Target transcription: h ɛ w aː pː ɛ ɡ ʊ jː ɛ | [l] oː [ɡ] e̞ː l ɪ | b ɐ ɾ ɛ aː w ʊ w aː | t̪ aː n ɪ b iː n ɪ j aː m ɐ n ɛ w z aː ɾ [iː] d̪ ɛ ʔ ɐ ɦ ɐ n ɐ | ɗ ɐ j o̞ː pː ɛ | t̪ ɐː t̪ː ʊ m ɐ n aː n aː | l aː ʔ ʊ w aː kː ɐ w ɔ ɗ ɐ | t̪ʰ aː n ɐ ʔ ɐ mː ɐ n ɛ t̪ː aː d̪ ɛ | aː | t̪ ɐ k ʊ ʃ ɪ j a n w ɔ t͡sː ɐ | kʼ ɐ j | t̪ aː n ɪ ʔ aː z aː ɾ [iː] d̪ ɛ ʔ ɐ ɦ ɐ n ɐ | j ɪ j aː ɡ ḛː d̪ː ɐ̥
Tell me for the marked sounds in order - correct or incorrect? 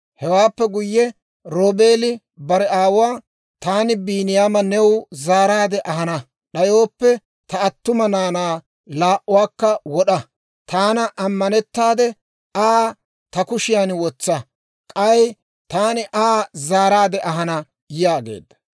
incorrect, incorrect, incorrect, incorrect

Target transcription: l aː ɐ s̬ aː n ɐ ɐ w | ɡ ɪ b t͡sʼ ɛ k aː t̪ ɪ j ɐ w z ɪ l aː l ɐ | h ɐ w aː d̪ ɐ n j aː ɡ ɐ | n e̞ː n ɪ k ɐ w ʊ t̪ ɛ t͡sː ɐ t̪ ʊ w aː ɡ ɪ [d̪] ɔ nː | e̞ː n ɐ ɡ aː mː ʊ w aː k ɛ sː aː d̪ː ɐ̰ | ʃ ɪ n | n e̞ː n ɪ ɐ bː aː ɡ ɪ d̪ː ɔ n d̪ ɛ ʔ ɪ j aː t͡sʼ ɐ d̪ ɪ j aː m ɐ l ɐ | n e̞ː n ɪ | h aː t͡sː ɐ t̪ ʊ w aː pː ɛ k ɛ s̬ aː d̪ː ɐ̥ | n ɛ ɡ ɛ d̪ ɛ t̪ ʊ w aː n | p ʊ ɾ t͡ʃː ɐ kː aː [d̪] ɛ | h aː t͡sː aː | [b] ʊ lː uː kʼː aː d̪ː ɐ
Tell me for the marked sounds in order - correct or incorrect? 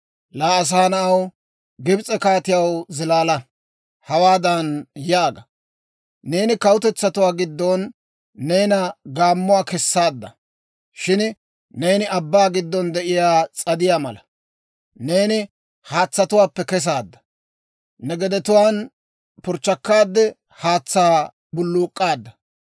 incorrect, incorrect, correct

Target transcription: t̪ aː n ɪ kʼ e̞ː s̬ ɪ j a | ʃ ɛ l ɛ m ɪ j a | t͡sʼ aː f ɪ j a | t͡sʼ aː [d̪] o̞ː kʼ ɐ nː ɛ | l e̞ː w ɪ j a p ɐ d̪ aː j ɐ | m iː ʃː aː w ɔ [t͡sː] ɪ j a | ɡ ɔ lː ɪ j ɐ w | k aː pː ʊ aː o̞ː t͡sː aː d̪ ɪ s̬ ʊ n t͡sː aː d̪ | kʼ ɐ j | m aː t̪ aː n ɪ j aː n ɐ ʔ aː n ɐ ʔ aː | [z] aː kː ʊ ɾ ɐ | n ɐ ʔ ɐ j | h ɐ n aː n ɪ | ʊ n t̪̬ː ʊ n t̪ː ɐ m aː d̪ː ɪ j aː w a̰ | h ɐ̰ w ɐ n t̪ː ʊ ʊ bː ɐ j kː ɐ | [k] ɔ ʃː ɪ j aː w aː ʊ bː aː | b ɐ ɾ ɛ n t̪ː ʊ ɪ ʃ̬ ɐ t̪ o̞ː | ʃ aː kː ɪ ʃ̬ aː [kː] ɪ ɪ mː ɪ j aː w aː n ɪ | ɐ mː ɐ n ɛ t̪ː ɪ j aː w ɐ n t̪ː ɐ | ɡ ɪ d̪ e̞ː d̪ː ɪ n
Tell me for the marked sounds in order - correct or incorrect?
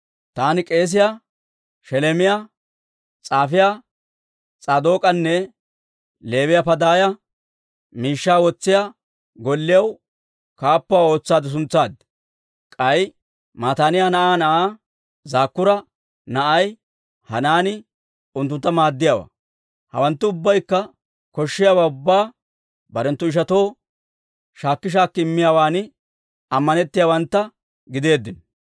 correct, correct, correct, correct, correct

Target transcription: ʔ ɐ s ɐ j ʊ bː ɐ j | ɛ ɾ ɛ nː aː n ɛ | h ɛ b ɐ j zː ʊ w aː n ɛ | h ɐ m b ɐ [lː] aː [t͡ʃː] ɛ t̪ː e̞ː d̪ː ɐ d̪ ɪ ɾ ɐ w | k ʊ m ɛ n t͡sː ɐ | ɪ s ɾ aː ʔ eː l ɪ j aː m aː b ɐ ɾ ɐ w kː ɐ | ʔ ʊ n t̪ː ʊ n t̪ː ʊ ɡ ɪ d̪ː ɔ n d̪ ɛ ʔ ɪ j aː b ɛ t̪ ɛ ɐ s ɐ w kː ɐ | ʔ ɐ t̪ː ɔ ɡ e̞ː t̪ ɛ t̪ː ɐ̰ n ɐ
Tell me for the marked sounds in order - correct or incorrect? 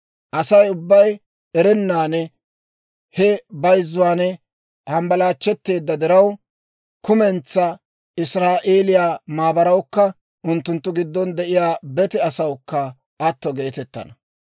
incorrect, correct

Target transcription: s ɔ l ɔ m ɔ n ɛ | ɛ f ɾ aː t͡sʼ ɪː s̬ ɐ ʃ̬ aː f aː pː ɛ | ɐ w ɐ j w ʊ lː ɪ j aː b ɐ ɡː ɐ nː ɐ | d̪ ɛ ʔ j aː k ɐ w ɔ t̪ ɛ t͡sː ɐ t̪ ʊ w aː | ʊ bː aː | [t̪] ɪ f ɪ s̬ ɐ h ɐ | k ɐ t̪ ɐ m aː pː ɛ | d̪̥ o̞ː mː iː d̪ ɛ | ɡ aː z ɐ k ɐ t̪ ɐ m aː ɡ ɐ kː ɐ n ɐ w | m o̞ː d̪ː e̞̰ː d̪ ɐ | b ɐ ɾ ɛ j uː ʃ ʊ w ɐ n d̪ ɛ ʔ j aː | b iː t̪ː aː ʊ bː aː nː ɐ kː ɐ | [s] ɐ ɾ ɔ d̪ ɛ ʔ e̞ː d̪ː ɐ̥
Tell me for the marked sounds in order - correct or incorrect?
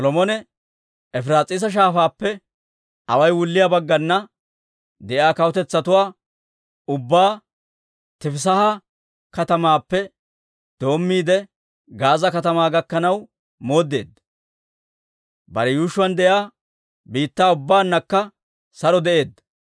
correct, correct

